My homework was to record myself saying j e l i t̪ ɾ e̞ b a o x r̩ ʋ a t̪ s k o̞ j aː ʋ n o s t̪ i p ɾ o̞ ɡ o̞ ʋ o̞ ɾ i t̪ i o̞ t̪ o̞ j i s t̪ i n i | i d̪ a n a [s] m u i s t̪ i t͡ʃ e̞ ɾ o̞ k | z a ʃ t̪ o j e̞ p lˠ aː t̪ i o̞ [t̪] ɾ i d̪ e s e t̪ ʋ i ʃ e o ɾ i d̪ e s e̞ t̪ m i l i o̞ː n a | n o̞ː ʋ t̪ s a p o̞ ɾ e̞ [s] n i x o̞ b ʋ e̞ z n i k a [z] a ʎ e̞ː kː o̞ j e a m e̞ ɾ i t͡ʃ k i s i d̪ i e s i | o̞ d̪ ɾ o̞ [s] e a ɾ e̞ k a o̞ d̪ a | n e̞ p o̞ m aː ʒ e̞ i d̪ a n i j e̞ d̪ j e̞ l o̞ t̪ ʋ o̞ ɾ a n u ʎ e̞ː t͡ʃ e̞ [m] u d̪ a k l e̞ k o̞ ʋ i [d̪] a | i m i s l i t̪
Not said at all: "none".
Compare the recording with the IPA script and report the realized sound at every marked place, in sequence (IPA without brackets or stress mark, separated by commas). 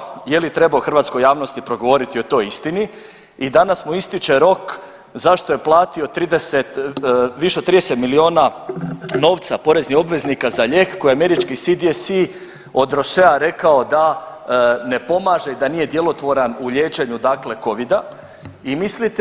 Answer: s, t̪, z, z, ʃ, ɲ, d̪